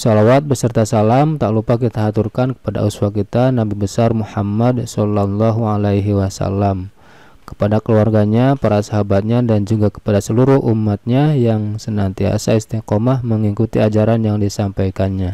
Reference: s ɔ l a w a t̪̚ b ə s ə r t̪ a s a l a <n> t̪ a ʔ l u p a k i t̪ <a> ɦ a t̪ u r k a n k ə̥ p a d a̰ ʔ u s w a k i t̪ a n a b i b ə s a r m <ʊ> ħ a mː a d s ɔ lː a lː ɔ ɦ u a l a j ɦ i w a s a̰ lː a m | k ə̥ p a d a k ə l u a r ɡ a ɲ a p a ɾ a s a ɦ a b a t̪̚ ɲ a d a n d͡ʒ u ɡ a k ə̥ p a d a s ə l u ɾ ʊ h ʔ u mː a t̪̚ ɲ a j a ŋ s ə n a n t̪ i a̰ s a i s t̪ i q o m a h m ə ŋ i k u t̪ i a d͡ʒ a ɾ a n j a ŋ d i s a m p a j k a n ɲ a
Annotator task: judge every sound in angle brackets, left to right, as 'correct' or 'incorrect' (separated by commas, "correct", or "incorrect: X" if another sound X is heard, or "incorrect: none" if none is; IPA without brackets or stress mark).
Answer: incorrect: m, correct, incorrect: u